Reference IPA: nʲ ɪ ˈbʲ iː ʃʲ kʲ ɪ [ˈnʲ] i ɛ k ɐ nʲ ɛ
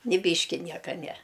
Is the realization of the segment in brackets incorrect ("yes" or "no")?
no